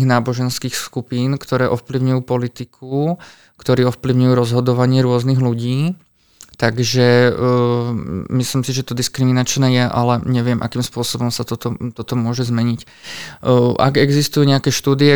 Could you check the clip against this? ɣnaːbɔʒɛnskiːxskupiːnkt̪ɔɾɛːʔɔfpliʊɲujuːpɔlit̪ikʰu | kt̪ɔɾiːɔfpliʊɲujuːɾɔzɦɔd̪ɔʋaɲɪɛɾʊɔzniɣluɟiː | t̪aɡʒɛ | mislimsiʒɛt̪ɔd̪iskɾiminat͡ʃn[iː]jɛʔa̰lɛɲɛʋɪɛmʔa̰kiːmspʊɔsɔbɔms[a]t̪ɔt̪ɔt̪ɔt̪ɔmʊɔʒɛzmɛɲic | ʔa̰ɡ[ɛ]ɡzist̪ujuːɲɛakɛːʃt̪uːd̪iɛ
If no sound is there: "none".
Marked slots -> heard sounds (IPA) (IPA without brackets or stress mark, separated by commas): ɛː, a, ɛ